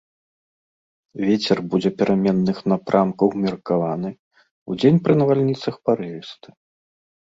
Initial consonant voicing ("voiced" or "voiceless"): voiced